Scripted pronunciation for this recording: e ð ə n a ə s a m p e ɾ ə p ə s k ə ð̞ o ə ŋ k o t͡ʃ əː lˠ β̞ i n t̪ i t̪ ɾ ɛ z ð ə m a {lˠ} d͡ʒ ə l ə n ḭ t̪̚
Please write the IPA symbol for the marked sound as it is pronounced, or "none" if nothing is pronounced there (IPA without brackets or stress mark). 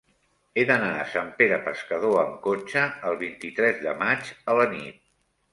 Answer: none